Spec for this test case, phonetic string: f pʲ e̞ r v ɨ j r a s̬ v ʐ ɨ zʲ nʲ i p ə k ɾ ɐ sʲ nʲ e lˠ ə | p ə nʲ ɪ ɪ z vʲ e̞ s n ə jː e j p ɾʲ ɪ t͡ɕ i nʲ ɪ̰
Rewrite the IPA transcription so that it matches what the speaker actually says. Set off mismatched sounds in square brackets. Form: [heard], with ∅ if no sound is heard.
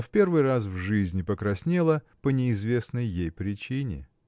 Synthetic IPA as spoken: f pʲ e̞ r v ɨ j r a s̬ v ʐ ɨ zʲ nʲ [ɪ] p ə k ɾ ɐ sʲ nʲ e lˠ ə | p ə nʲ ɪ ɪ z vʲ e̞ s n ə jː e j p ɾʲ ɪ t͡ɕ i nʲ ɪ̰